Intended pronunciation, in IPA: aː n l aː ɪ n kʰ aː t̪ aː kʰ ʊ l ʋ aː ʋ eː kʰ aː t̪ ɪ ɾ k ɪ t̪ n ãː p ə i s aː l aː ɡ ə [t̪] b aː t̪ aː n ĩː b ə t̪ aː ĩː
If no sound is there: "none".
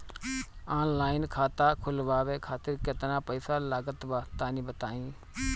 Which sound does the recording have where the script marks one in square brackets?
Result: t̪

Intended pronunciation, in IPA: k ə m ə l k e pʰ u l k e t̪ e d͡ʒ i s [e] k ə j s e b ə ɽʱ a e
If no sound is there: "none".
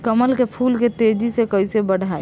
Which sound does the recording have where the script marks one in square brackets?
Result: e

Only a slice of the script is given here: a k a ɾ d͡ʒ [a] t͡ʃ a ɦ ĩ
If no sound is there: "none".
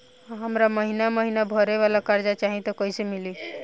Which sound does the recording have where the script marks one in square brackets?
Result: a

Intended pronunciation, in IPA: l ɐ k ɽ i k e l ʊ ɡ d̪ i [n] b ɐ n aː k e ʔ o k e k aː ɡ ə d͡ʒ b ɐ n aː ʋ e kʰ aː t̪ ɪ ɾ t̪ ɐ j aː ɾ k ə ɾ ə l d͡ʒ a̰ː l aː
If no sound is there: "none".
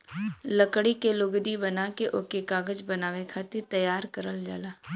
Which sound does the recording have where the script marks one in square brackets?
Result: none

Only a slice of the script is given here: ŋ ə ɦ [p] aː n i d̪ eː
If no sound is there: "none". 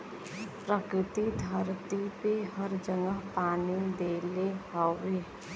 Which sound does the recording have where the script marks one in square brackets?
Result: p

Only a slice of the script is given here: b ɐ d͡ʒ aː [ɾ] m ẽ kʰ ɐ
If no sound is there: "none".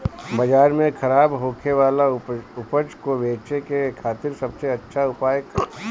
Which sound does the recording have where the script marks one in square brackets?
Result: ɾ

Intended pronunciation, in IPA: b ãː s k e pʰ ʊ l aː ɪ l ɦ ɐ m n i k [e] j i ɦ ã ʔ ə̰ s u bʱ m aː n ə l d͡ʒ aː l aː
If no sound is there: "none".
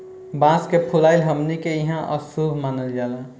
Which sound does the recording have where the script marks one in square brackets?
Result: e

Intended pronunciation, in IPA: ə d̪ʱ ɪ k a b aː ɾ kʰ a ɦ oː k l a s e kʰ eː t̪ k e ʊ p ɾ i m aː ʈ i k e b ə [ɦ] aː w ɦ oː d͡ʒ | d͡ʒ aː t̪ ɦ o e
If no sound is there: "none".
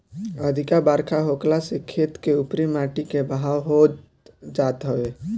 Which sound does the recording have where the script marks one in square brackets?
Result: ɦ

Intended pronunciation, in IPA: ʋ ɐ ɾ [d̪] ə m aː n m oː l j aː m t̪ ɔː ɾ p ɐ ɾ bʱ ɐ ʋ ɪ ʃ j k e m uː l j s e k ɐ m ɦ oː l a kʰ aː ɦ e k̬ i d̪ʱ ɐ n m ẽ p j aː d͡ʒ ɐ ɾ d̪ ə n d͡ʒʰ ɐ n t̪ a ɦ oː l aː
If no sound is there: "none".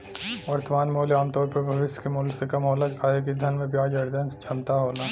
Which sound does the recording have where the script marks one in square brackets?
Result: t̪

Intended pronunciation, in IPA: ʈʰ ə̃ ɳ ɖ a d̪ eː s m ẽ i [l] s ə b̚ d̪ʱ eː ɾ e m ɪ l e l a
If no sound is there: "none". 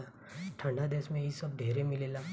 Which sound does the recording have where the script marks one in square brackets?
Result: none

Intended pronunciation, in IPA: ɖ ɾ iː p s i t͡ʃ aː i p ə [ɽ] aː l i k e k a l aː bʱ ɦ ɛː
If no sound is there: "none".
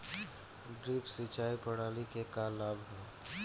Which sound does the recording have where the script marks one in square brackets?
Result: ɽ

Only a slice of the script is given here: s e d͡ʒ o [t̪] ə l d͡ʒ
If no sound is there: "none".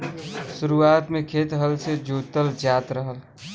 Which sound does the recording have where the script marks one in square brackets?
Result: t̪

